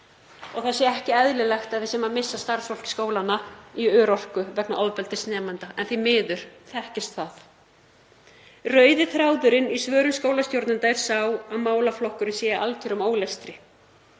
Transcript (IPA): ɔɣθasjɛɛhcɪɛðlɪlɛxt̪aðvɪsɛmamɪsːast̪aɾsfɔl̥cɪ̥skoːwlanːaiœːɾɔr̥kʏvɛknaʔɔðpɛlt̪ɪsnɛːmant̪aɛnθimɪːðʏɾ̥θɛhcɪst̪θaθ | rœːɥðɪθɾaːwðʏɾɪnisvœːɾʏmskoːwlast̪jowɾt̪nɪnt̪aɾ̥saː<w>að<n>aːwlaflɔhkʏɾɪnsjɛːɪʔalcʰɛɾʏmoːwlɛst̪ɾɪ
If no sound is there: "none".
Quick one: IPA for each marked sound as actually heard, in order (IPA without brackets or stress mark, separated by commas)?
w, m